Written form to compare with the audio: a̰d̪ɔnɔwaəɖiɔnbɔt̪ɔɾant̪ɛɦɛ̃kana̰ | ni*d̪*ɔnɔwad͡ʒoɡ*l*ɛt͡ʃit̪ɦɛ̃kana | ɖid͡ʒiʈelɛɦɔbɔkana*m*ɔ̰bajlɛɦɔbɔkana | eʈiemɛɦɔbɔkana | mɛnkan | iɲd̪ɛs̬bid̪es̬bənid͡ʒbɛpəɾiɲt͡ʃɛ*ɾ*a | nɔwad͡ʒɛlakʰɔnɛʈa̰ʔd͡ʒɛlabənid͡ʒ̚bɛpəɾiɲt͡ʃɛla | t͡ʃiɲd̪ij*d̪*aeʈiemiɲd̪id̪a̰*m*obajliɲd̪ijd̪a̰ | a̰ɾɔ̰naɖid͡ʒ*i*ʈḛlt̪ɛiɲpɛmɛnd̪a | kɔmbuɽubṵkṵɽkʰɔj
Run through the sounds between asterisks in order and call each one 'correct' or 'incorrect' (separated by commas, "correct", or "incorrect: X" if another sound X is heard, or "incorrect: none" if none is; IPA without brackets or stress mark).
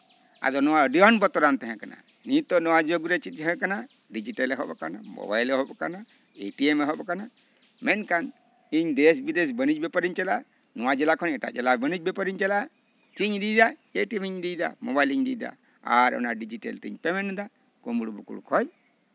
incorrect: t̪, incorrect: ɾ, correct, incorrect: l, correct, correct, correct